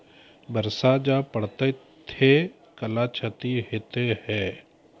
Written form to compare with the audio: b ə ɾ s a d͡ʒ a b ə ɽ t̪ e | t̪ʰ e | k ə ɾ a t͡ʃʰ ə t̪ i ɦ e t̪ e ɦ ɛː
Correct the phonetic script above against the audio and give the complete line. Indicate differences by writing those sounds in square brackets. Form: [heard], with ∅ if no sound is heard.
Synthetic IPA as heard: b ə ɾ s a d͡ʒ a [p] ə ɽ t̪ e | t̪ʰ e | k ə [l] a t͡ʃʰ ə t̪ i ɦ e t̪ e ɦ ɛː